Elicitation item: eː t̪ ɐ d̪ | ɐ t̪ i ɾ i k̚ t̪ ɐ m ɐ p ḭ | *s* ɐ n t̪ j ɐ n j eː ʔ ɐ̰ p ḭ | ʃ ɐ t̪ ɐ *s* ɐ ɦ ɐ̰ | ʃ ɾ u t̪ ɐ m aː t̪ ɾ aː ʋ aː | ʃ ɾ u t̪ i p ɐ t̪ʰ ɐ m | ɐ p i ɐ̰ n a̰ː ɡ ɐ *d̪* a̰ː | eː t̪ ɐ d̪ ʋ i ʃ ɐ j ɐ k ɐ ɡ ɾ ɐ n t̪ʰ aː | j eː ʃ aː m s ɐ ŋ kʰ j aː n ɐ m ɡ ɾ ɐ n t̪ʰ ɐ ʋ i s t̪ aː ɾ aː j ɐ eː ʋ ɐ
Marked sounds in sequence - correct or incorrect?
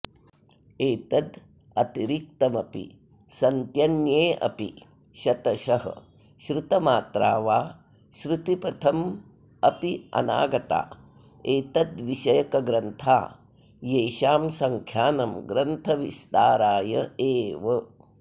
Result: correct, incorrect, incorrect

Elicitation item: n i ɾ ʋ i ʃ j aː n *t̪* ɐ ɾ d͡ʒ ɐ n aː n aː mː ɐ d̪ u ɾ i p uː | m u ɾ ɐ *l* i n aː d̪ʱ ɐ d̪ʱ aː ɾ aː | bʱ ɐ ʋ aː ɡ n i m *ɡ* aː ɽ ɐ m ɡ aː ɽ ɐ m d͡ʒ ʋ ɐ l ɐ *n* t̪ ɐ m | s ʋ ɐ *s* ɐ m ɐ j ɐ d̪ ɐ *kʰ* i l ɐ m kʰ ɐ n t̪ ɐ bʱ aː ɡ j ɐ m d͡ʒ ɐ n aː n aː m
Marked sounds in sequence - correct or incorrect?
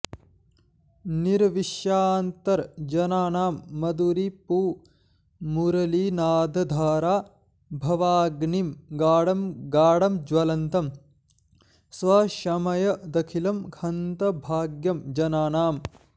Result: correct, correct, correct, correct, incorrect, correct

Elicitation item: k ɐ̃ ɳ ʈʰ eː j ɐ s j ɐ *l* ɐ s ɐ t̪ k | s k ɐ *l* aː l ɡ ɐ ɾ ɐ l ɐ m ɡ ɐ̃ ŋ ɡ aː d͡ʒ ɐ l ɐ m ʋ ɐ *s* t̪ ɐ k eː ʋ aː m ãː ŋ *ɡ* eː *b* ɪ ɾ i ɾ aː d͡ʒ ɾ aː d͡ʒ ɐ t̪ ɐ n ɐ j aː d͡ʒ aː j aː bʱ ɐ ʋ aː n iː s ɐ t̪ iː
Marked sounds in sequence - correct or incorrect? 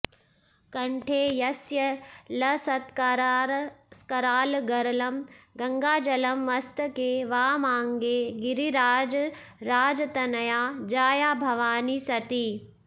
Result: correct, incorrect, correct, correct, incorrect

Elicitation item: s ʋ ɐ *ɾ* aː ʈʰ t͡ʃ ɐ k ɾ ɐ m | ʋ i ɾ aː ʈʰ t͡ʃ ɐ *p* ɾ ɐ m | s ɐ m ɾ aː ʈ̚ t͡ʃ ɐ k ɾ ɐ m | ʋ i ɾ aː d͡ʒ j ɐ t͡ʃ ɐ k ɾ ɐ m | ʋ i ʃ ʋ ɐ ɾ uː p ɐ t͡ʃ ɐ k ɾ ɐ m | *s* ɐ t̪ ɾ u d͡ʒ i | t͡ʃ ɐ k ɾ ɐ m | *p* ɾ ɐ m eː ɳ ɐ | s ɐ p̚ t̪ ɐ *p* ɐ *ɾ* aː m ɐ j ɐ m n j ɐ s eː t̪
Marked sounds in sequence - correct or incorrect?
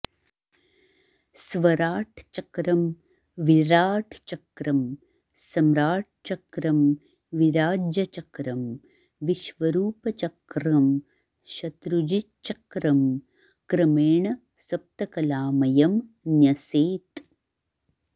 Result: correct, incorrect, incorrect, incorrect, incorrect, incorrect

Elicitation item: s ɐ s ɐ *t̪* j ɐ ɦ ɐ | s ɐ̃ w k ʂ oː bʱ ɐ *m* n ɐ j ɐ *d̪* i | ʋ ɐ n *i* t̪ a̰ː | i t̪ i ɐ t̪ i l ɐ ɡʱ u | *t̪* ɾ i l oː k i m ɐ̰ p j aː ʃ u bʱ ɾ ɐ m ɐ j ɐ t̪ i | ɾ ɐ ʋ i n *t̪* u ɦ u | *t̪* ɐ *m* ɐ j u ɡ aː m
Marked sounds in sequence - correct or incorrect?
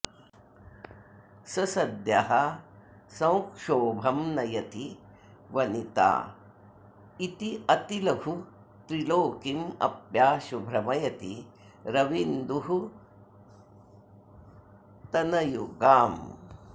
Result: incorrect, correct, incorrect, correct, correct, incorrect, correct, incorrect

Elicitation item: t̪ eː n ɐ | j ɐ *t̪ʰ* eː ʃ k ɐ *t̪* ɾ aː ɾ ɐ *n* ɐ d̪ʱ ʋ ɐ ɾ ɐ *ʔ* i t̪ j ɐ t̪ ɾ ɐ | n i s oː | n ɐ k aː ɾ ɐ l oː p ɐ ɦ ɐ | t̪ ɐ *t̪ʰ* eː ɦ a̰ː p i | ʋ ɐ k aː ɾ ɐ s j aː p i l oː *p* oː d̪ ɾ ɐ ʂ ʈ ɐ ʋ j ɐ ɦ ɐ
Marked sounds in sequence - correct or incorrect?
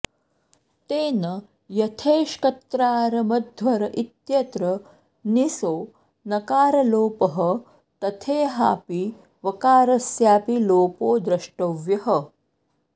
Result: correct, correct, incorrect, correct, correct, correct

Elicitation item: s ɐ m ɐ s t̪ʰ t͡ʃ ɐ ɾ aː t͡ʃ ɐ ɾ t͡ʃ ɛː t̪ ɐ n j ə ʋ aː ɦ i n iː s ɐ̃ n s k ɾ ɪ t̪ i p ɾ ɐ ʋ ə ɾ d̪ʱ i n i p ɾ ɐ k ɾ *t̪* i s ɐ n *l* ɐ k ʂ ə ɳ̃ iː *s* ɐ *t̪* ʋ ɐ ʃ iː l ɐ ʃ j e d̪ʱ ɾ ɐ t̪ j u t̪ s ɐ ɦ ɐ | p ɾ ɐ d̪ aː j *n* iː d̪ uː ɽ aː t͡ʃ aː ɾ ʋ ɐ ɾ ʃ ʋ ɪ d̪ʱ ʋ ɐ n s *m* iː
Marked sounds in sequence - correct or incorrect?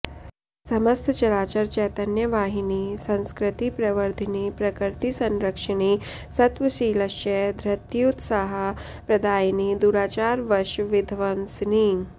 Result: correct, incorrect, correct, correct, correct, incorrect

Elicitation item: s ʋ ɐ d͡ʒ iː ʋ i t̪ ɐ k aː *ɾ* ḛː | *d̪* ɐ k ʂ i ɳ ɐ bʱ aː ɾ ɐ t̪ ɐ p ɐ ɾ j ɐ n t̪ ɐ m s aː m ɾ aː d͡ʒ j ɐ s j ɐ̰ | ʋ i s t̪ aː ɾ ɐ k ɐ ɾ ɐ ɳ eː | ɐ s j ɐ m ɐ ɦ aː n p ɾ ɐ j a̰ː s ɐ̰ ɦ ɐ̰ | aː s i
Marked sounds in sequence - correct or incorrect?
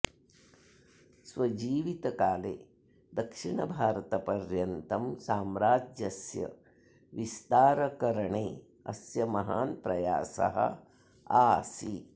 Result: incorrect, correct

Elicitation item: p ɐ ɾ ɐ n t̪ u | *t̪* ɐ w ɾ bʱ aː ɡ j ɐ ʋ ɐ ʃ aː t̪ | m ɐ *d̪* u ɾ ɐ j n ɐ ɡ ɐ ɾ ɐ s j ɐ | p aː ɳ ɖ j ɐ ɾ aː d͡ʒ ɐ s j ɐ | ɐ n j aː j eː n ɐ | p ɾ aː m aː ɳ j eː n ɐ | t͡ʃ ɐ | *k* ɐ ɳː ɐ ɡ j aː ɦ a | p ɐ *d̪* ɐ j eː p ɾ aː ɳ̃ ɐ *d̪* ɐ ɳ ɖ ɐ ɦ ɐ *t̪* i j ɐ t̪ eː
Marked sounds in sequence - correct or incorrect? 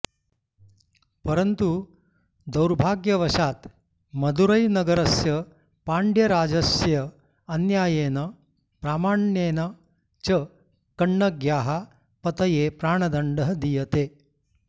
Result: incorrect, correct, correct, incorrect, correct, incorrect

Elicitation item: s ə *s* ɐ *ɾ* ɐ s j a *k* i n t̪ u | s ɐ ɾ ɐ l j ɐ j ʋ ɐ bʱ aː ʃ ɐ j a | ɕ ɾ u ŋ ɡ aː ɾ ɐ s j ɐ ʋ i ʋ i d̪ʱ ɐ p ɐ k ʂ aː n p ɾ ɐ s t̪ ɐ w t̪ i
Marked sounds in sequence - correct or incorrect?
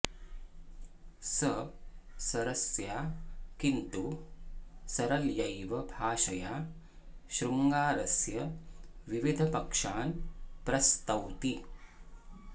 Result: correct, correct, correct

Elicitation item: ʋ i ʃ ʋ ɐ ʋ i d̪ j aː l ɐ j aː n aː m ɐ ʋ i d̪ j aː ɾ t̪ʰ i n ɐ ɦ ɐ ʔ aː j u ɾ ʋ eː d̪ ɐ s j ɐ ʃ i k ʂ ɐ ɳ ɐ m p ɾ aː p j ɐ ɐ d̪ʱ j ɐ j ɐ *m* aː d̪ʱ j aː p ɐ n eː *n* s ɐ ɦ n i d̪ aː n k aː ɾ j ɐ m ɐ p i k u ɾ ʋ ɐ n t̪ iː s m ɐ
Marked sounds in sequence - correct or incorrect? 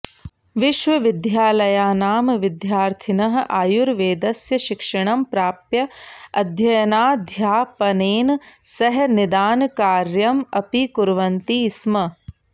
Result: incorrect, correct

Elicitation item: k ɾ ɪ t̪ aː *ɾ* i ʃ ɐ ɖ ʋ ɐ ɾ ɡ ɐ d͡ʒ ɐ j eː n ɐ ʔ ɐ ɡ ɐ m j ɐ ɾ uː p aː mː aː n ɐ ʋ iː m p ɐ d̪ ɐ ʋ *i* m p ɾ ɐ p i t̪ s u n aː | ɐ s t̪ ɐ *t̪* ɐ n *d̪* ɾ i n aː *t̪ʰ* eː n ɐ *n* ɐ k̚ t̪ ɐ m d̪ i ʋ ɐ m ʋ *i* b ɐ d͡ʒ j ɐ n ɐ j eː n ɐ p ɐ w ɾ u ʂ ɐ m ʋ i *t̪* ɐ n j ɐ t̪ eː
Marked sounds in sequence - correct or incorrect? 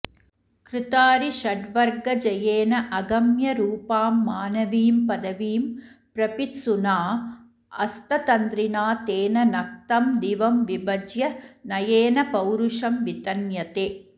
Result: correct, incorrect, correct, correct, incorrect, correct, correct, correct

